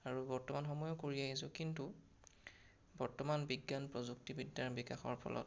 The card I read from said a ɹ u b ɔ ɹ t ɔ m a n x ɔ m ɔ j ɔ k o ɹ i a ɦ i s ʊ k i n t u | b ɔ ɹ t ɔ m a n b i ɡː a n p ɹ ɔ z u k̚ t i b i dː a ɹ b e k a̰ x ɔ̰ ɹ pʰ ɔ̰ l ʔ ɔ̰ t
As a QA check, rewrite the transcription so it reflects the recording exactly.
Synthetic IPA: a ɹ u b ɔ ɹ t ɔ m a n x ɔ m ɔ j ɔ k o ɹ i a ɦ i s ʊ k i n t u | b ɔ ɹ t ɔ m a n b i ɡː a n p ɹ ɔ z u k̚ t i b i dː a ɹ b i k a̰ x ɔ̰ ɹ pʰ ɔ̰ l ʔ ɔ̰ t